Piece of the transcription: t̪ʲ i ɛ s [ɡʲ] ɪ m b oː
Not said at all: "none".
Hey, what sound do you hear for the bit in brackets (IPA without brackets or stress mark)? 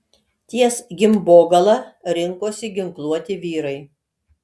ɡʲ